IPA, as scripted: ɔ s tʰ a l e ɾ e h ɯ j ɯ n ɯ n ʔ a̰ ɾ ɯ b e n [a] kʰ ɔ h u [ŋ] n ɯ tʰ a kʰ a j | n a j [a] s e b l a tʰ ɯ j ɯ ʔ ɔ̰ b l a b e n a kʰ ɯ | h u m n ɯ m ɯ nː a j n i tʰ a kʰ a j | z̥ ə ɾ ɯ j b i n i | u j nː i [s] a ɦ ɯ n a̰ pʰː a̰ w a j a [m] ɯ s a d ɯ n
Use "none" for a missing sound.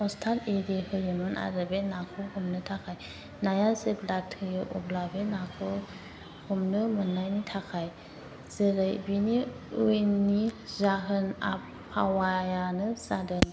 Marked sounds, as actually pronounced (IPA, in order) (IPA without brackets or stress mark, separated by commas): a, m, a, z, n